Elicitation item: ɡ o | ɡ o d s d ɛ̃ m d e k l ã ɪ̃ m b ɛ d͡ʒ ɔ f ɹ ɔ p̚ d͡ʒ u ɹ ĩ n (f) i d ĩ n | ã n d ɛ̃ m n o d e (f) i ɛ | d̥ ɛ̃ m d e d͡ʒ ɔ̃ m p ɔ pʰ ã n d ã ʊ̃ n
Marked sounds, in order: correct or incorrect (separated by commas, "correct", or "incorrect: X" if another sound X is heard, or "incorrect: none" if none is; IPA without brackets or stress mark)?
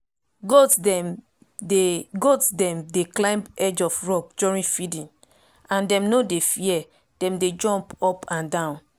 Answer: correct, correct